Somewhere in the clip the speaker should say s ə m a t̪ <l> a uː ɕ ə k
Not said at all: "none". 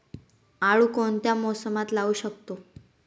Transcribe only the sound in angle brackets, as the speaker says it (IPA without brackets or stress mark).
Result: l